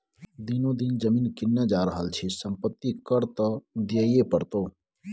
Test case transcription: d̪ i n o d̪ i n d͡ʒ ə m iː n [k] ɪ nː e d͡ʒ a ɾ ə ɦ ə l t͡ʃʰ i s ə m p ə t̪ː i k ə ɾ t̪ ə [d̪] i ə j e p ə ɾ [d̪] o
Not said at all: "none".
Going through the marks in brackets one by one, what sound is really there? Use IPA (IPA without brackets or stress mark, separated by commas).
k, d̪, t̪